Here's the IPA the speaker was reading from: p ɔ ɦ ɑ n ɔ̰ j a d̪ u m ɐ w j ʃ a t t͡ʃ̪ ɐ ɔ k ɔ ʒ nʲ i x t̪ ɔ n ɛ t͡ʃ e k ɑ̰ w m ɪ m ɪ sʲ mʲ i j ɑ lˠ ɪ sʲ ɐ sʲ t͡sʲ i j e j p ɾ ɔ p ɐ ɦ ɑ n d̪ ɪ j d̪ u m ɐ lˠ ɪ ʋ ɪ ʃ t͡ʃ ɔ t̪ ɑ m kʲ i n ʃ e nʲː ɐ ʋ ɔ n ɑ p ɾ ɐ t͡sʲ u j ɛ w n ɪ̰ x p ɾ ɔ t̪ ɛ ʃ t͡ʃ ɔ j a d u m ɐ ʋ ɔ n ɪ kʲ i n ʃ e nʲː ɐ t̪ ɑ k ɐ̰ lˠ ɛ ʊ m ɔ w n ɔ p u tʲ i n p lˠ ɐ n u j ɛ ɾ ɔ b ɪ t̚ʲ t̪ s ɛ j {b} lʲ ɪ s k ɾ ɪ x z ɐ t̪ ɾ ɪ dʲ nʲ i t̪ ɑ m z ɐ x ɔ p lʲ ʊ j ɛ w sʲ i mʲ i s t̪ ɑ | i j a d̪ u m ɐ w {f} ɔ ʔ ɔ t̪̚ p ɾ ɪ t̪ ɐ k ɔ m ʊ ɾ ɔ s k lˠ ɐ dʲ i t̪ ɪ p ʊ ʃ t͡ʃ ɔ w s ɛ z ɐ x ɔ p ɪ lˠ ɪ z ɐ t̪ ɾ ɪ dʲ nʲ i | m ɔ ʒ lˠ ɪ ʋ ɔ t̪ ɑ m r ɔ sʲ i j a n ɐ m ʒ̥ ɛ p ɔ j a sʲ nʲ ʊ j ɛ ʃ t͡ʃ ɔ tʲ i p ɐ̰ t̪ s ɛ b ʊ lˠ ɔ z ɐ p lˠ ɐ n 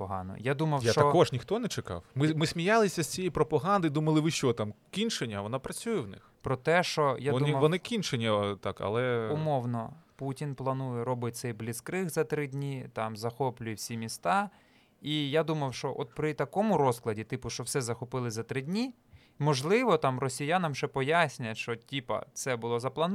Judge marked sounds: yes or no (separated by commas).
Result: yes, no